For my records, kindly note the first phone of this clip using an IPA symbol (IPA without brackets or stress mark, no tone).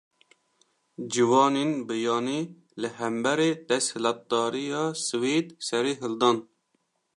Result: d͡ʒ